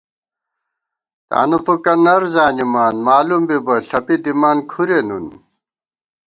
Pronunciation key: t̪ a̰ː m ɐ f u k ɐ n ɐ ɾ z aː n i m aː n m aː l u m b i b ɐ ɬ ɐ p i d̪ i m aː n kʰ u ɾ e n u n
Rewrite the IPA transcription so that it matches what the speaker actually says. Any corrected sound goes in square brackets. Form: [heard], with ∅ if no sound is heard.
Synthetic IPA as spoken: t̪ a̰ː [n] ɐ f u k ɐ n ɐ ɾ z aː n i m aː n m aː l u m b i b ɐ ɬ ɐ p i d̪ i m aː n kʰ u ɾ e n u n

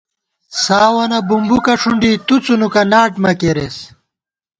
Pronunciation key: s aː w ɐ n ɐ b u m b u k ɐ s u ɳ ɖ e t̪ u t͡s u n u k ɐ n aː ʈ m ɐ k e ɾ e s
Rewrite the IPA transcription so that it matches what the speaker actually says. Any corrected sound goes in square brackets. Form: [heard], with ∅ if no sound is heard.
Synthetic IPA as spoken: s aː w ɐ n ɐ b u m b u k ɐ [ʂ] u ɳ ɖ [i] t̪ u t͡s u n u k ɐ n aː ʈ m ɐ k e ɾ e s

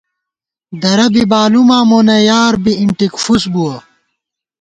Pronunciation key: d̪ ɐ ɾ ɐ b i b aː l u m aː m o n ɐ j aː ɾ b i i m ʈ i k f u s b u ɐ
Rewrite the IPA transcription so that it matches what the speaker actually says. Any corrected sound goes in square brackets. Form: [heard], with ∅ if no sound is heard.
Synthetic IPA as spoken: d̪ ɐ ɾ ɐ b i b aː l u m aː m o n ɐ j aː ɾ b i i [ɳ] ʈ i k f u s b u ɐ

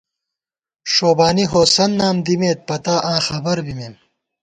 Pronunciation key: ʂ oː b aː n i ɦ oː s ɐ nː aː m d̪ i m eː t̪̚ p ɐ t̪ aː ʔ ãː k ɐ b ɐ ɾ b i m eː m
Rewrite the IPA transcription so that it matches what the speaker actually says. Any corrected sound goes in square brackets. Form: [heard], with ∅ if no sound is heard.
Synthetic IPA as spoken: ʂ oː b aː n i ɦ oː s ɐ nː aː m d̪ i m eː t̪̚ p ɐ t̪ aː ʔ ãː [x] ɐ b ɐ ɾ b i m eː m

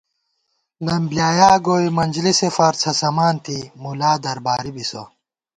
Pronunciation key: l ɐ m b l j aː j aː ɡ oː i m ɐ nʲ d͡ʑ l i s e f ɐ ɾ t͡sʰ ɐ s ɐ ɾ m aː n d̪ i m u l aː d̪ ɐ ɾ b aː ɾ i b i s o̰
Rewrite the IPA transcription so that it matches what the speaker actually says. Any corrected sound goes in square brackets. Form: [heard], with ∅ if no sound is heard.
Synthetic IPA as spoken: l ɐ m b l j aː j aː ɡ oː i m ɐ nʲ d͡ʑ l i s e f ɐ ɾ t͡sʰ ɐ s ɐ [∅] m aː n [t̪] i m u l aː d̪ ɐ ɾ b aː ɾ i b i s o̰

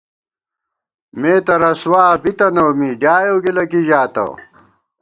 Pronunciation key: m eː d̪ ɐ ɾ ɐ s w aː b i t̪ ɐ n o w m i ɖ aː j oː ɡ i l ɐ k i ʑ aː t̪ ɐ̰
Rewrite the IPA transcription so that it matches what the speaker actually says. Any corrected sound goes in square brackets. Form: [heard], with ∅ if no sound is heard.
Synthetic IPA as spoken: m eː [t̪] ɐ ɾ ɐ s w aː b i t̪ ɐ n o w m i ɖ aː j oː ɡ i l ɐ k i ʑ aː t̪ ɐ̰

